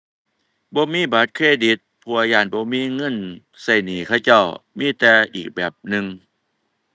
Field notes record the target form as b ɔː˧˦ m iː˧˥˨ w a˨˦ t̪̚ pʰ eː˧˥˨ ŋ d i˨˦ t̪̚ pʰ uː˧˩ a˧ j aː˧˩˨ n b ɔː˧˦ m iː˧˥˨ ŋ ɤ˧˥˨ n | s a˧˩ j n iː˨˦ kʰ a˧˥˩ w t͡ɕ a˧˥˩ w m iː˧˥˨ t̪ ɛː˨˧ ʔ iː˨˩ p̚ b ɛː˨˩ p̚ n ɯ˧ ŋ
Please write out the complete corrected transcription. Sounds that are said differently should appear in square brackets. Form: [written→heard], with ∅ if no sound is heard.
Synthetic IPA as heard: b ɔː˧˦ m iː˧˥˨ [w→b] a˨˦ t̪̚ [pʰ→kʰ] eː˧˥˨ [ŋ→∅] d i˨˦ t̪̚ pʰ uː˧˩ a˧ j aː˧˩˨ n b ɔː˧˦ m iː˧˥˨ ŋ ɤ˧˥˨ n | s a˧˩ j n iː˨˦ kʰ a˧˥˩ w t͡ɕ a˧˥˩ w m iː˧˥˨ t̪ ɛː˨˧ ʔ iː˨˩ [p̚→k̚] b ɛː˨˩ p̚ n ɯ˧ ŋ